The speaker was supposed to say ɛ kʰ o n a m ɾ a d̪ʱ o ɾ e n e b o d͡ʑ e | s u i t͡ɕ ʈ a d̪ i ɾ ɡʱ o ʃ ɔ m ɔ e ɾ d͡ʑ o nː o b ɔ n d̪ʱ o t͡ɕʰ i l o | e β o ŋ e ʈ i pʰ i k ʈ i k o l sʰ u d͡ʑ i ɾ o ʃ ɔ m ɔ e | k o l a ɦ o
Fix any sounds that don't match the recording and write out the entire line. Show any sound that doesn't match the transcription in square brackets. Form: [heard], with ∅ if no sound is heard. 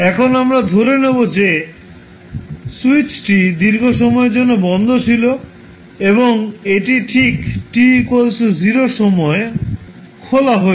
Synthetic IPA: ɛ kʰ o n a m ɾ a d̪ʱ o ɾ e n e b o d͡ʑ e | s u i t͡ɕ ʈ [i] d̪ i ɾ ɡʱ o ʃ ɔ m ɔ e ɾ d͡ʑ o nː o b ɔ n d̪ʱ o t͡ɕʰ i l o | e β o ŋ e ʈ i [ʈʰ] i k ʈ i k o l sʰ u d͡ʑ i ɾ o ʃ ɔ m ɔ e | [kʰ] o l a ɦ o